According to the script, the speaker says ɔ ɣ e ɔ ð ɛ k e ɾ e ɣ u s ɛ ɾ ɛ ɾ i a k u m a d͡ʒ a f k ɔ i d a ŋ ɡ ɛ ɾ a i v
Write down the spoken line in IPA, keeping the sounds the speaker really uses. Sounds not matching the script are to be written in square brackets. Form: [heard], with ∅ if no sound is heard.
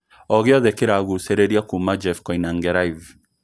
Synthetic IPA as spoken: ɔ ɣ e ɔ ð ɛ k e ɾ [a] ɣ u s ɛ ɾ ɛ ɾ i a k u m a d͡ʒ [ɛ] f k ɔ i [n] a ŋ ɡ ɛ ɾ a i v